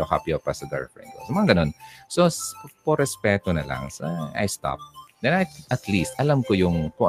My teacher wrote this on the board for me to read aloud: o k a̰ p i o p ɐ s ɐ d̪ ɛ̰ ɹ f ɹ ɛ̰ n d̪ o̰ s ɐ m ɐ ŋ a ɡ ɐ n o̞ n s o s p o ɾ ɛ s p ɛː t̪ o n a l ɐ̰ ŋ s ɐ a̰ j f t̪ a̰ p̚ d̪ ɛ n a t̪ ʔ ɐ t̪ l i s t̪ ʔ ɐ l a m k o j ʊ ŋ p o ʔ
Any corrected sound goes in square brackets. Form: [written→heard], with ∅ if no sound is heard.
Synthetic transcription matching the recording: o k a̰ p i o p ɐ s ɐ d̪ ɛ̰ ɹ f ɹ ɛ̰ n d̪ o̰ s ɐ m ɐ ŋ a ɡ ɐ n o̞ n s o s p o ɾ ɛ s p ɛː t̪ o n [a→ɐ] l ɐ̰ ŋ s ɐ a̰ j [f→s] t̪ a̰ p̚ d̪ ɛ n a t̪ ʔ ɐ t̪ l i s t̪ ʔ ɐ l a m k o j ʊ ŋ p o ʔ